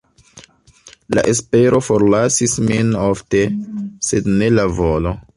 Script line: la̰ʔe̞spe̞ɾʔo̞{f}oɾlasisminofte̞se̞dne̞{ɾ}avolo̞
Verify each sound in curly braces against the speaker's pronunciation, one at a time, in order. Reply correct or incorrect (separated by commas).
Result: correct, incorrect